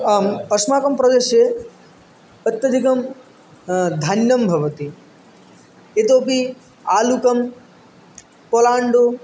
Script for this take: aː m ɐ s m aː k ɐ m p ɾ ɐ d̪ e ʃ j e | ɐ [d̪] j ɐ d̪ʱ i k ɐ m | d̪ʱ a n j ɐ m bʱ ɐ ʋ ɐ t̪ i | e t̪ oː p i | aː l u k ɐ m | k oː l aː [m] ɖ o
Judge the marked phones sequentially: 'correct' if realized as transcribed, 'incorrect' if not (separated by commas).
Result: incorrect, incorrect